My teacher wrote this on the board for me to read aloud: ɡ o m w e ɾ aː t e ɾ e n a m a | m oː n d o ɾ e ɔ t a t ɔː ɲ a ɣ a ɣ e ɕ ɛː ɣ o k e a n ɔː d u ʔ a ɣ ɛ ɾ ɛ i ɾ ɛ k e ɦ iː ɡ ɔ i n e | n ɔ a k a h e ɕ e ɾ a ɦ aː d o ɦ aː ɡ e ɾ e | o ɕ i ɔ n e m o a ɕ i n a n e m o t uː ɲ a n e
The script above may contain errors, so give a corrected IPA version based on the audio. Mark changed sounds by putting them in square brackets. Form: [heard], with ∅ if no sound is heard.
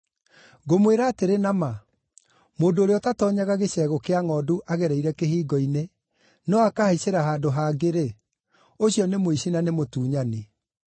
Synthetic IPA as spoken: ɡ o m w e ɾ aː t e ɾ e n a m a | m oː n d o ɾ e ɔ t a t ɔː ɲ a ɣ a ɣ e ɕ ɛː ɣ o k e a [ŋ] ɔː d u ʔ a ɣ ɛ ɾ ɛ i ɾ ɛ k e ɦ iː ɡ ɔ i n e | n ɔ a k a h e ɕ e ɾ a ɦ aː d o ɦ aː ɡ e ɾ e | o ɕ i ɔ n e m o [i] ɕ i n a n e m o t uː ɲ a n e